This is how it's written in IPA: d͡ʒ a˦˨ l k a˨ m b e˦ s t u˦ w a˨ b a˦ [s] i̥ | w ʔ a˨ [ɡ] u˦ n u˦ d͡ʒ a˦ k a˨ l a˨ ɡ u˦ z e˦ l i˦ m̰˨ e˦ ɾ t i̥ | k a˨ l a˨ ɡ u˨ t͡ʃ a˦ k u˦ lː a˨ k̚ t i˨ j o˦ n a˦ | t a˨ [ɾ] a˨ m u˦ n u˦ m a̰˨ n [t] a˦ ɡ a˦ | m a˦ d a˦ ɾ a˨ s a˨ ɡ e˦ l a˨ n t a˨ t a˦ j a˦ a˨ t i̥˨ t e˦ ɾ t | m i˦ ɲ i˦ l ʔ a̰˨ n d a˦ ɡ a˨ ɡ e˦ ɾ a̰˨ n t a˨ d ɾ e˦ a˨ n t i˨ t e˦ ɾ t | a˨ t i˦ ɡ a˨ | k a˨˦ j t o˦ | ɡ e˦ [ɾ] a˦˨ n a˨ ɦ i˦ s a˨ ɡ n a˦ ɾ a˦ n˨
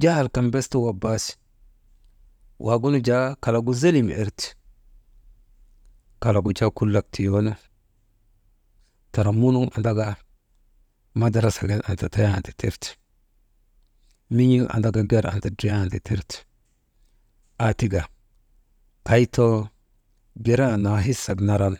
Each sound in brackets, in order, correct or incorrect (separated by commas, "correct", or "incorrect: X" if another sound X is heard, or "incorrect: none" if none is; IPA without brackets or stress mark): correct, correct, correct, incorrect: d, correct